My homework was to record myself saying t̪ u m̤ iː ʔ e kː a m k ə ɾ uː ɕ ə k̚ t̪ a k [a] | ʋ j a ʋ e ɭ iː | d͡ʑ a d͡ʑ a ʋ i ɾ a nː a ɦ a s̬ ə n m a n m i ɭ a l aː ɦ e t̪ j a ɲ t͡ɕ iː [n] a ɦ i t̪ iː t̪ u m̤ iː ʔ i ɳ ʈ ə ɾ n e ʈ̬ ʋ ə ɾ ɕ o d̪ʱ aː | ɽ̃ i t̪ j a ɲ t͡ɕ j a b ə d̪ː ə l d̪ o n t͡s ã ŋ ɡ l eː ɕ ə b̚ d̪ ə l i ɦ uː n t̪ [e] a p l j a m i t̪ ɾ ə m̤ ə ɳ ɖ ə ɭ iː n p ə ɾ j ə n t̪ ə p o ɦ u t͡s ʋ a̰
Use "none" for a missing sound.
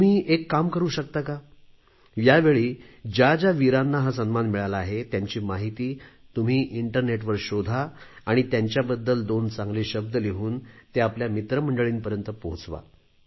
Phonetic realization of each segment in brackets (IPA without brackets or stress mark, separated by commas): a, m, e